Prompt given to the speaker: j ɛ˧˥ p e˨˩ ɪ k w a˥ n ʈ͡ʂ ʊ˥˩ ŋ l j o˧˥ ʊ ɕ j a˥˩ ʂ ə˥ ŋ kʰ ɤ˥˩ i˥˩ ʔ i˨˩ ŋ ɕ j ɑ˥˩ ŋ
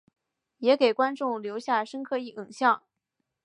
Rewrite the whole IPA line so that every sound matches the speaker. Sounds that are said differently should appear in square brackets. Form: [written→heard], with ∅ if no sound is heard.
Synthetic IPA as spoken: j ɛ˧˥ [p→k] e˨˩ ɪ k w a˥ n ʈ͡ʂ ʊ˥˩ ŋ l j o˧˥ ʊ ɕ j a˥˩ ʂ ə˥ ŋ kʰ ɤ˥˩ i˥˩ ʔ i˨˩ ŋ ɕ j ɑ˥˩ ŋ